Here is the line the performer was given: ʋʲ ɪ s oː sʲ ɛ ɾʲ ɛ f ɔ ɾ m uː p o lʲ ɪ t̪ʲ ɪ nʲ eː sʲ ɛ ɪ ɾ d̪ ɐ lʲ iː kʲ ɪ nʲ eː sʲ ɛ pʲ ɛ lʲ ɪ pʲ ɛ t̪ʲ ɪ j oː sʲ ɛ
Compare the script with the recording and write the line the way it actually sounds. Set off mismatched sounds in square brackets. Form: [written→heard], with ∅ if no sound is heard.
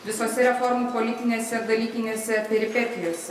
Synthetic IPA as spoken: ʋʲ ɪ s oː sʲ ɛ ɾʲ ɛ f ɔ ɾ m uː p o lʲ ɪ t̪ʲ ɪ nʲ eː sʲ ɛ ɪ ɾ d̪ ɐ lʲ iː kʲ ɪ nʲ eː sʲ ɛ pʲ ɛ [lʲ→ɾʲ] ɪ pʲ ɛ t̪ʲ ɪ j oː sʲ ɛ

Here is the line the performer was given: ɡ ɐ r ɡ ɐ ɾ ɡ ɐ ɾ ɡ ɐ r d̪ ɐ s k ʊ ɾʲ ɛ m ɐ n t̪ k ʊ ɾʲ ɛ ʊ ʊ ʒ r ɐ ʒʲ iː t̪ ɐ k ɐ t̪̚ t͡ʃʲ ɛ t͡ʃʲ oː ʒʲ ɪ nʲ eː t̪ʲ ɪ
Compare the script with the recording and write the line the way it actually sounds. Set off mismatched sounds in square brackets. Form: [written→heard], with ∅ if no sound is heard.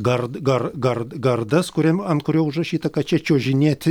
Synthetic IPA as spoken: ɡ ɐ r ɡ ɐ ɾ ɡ ɐ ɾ ɡ ɐ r d̪ ɐ s k ʊ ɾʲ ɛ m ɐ n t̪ k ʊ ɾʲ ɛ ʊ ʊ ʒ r ɐ [ʒʲ→ʃʲ] iː t̪ ɐ k ɐ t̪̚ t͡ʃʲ ɛ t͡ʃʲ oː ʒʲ ɪ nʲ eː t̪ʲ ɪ

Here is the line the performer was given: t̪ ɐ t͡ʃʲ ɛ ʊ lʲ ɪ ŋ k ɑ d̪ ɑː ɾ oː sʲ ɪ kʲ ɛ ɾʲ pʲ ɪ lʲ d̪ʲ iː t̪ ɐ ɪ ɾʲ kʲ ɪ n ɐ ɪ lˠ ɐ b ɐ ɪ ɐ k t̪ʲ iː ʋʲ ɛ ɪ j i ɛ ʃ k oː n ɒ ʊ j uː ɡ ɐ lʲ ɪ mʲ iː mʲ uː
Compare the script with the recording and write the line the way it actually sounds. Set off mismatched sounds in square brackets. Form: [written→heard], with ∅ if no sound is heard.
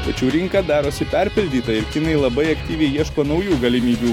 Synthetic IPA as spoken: t̪ ɐ t͡ʃʲ ɛ ʊ [lʲ→ɾʲ] ɪ ŋ k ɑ d̪ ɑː ɾ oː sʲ ɪ [kʲ→pʲ] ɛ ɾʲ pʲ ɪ lʲ d̪ʲ iː t̪ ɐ ɪ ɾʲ kʲ ɪ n ɐ ɪ lˠ ɐ b ɐ ɪ ɐ k t̪ʲ iː ʋʲ ɛ ɪ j i ɛ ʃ k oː n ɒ ʊ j uː ɡ ɐ lʲ ɪ mʲ iː [mʲ→bʲ] uː

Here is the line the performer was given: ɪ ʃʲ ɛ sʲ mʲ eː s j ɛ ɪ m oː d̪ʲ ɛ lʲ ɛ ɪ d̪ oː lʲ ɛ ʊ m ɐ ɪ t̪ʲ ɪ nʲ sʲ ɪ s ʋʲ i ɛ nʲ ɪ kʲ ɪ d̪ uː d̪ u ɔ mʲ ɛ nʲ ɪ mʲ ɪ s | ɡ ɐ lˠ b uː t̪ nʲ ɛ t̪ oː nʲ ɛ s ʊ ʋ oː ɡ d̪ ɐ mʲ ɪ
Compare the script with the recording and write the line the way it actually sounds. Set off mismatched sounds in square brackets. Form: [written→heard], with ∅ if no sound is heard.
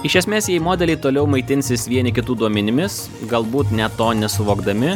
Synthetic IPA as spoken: ɪ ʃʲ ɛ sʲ mʲ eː s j ɛ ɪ m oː d̪ʲ ɛ lʲ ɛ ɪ [d̪→t̪] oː lʲ ɛ ʊ m ɐ ɪ t̪ʲ ɪ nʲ sʲ ɪ s ʋʲ i ɛ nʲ ɪ kʲ ɪ [d̪→t̪] uː d̪ u ɔ mʲ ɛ nʲ ɪ mʲ ɪ s | ɡ ɐ lˠ b uː t̪ nʲ ɛ t̪ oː nʲ ɛ s ʊ ʋ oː ɡ d̪ ɐ mʲ ɪ

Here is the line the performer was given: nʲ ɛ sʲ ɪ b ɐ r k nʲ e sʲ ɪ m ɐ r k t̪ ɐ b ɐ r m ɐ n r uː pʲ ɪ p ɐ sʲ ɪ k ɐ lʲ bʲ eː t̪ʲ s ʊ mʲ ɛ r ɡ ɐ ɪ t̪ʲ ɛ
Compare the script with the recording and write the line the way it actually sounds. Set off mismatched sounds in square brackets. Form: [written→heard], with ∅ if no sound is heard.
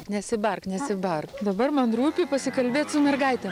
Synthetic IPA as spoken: nʲ ɛ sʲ ɪ b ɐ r k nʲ [e→ɛ] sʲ ɪ [m→b] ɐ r k [t̪→d̪] ɐ b ɐ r m ɐ n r uː pʲ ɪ p ɐ sʲ ɪ k ɐ lʲ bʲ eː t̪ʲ s ʊ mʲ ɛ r ɡ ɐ ɪ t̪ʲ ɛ

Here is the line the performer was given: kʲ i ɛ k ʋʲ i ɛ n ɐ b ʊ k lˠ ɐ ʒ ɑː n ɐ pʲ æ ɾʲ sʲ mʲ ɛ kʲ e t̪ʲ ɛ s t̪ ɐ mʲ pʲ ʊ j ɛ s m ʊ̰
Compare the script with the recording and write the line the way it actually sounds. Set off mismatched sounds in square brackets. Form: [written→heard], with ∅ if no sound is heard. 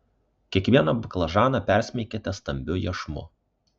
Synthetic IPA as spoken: kʲ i ɛ k ʋʲ i ɛ n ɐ b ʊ k lˠ ɐ ʒ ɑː n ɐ pʲ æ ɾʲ sʲ mʲ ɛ kʲ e t̪ʲ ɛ s t̪ ɐ mʲ [pʲ→bʲ] ʊ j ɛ [s→ʃ] m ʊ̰

